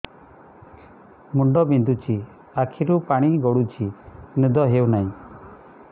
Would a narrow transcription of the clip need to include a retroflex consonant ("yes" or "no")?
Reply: yes